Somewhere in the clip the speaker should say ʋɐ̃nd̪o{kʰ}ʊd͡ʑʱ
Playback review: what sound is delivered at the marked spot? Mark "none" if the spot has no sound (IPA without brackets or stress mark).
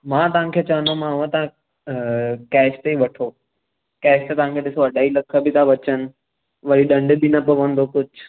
k